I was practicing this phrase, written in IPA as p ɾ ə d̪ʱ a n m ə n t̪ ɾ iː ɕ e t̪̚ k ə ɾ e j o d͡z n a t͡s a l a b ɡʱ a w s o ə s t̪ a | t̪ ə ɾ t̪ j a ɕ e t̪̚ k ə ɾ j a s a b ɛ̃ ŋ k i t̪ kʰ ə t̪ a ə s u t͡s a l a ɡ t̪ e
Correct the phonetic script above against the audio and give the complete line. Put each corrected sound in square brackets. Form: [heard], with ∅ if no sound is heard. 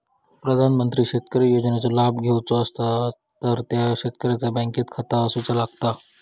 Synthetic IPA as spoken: p ɾ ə d̪ʱ a n m ə n t̪ ɾ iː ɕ e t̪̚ k ə ɾ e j o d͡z n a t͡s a l a b ɡʱ [e] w [t͡s] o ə s t̪ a | t̪ ə ɾ t̪ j a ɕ e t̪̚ k ə ɾ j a [t͡s] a b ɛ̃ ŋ k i t̪ kʰ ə t̪ a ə s u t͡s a l a ɡ t̪ [a]

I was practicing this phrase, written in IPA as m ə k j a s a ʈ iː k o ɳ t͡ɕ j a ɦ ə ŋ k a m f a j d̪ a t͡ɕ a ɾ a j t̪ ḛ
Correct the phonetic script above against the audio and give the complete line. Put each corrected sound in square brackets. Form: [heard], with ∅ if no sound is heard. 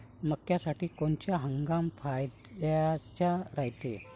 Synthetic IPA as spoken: m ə k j a s a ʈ iː k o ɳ t͡ɕ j a ɦ ə ŋ [ɡ] a m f a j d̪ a t͡ɕ a ɾ a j t̪ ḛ

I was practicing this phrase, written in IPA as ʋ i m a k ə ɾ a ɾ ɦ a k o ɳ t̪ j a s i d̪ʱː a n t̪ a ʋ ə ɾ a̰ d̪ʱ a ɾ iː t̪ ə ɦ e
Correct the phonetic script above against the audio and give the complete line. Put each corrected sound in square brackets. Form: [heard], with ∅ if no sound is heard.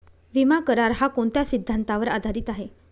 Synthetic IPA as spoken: ʋ i m a k ə ɾ a ɾ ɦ a k o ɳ t̪ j a s i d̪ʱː a n t̪ a ʋ ə ɾ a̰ d̪ʱ a ɾ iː t̪ [a] ɦ e

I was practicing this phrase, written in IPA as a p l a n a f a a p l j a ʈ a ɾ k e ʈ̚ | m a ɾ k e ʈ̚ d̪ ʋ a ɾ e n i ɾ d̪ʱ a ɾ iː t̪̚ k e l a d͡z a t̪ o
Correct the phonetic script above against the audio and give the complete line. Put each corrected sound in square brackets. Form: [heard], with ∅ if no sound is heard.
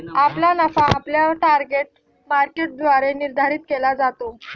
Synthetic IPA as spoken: a p l a n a f a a p l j a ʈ a ɾ [ɡ] e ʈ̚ | m a ɾ k e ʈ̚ d̪ ʋ a ɾ e n i ɾ d̪ʱ a ɾ iː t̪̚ k e l a d͡z a t̪ o

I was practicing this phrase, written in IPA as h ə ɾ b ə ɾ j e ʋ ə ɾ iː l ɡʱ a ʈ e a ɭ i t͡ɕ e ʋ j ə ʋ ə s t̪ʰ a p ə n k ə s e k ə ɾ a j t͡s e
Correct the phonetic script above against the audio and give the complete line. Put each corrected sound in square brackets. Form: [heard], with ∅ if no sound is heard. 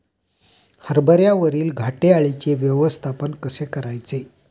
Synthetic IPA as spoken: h ə ɾ b ə ɾ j [a] ʋ ə ɾ iː l ɡʱ a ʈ e a ɭ i t͡ɕ e ʋ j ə ʋ ə s t̪ʰ a p ə n k ə s e k ə ɾ a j t͡s e

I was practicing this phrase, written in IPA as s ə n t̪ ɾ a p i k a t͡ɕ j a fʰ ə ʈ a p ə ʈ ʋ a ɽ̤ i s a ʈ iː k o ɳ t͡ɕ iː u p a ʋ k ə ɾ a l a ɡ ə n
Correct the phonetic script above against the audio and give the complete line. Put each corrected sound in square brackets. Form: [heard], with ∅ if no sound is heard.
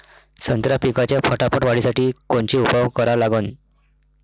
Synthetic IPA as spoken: s ə n t̪ ɾ a p i k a t͡ɕ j a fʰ ə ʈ a p ə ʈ ʋ a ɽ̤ i s a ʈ iː k o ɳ t͡ɕ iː u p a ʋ k ə ɾ a l a ɡ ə n

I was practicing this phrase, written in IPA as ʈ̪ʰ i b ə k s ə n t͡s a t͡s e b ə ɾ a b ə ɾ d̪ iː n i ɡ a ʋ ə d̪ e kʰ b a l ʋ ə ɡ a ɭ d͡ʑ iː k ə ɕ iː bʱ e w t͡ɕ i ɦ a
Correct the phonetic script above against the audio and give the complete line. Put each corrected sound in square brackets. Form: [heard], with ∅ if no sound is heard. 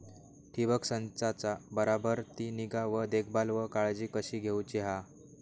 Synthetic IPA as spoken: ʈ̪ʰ i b ə k s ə n t͡s a t͡s [a] b ə ɾ a b ə ɾ [t̪] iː n i ɡ a ʋ ə d̪ e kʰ b a l ʋ ə [k] a ɭ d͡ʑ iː k ə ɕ iː [ɡʱ] e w t͡ɕ i ɦ a

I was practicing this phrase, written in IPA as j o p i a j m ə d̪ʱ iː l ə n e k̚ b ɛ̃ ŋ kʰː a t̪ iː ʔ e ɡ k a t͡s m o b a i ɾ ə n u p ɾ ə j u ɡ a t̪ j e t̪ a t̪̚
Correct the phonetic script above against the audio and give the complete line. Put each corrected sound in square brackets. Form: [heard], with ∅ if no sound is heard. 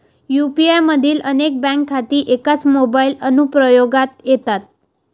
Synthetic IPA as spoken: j [u] p i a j m ə d̪ʱ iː l ə n e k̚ b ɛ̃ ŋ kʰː a t̪ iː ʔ e [∅] k a t͡s m o b a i [l] ə n u p ɾ ə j [o] ɡ a t̪ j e t̪ a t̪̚

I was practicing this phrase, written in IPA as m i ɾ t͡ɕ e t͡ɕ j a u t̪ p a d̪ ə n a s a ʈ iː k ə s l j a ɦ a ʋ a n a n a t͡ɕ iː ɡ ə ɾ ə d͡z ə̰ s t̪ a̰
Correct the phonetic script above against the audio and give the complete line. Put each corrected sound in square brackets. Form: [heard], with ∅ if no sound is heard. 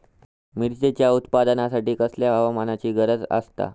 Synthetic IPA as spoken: m i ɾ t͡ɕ e t͡ɕ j a u t̪ p a d̪ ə n a s a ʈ iː k ə s l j a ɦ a ʋ a [m] a n a t͡ɕ iː ɡ ə ɾ ə d͡z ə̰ s t̪ a̰

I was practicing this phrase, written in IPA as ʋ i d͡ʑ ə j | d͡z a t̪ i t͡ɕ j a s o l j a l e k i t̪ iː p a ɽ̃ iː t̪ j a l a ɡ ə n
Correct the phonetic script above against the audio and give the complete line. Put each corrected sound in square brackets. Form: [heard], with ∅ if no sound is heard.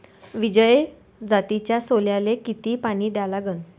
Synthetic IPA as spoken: ʋ i d͡ʑ ə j | d͡z a t̪ i t͡ɕ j a s o l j a l e k i t̪ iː p a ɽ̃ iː [d̪] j a l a ɡ ə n

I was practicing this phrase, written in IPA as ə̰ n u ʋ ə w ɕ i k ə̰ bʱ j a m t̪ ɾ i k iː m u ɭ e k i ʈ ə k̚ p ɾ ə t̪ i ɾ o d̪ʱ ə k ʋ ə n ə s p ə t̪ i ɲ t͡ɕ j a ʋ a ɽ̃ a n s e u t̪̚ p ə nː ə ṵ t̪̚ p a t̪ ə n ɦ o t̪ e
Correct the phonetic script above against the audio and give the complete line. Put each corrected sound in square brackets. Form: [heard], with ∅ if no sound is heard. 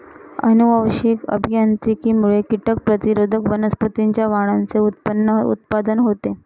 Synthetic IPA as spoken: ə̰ n u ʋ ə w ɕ i k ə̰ bʱ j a [n] t̪ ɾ i k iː m u ɭ e k i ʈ ə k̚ p ɾ ə t̪ i ɾ o d̪ʱ ə k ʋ ə n ə s p ə t̪ i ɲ t͡ɕ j a ʋ a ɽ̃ a n [t͡s] e u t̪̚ p ə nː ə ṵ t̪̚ p a [d̪] ə n ɦ o t̪ e

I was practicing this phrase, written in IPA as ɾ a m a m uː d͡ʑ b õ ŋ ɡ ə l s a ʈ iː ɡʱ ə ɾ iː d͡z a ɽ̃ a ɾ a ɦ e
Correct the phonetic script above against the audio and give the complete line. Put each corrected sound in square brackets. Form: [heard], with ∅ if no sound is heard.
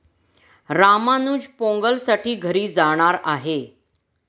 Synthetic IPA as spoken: ɾ a m a [n] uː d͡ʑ [p] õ ŋ ɡ ə l s a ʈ iː ɡʱ ə ɾ iː d͡z a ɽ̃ a ɾ a ɦ e

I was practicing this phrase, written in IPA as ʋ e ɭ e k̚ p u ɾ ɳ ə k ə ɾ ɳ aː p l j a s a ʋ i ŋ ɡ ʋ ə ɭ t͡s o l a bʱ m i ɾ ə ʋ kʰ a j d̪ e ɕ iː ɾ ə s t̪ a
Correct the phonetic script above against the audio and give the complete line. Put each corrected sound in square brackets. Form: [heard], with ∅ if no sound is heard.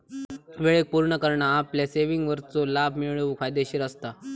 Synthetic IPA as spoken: ʋ e ɭ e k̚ p u ɾ ɳ ə k ə ɾ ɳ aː p l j a s [e] ʋ i ŋ ɡ ʋ ə [ɾ] t͡s o l a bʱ m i [ɭ] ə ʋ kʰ a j d̪ e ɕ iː ɾ ə s t̪ a

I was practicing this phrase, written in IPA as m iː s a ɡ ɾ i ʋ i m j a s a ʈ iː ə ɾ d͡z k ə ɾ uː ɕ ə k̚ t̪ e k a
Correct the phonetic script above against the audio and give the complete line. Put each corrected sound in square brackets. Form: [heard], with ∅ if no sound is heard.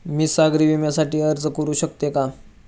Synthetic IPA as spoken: m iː s a ɡ ɾ i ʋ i m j a s a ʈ iː ə ɾ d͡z k ə ɾ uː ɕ ə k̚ t̪ e k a

